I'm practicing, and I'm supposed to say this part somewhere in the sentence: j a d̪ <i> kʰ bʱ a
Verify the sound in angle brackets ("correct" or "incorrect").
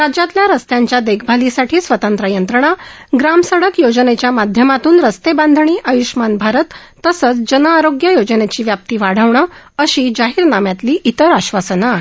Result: incorrect